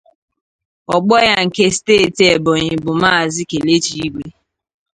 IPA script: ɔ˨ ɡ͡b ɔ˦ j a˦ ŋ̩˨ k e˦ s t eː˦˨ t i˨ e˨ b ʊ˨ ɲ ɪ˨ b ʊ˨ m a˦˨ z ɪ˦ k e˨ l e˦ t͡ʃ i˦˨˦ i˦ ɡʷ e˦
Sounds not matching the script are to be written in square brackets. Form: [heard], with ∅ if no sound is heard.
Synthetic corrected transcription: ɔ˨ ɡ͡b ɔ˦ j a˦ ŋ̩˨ k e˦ s t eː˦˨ t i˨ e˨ b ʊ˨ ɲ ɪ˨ b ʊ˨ m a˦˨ z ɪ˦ k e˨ l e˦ t͡ʃ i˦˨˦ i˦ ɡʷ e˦